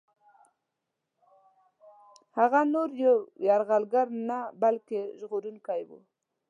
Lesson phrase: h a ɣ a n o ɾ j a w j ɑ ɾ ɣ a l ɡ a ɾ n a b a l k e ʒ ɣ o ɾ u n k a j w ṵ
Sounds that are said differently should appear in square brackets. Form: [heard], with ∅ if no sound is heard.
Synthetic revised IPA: h a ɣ a n o ɾ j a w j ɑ ɾ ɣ a l ɡ a ɾ n a b a l k e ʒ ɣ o ɾ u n k a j w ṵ